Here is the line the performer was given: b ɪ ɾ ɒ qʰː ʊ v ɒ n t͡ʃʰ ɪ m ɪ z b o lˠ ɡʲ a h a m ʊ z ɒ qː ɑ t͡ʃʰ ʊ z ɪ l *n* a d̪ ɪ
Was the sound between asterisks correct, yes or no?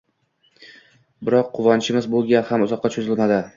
no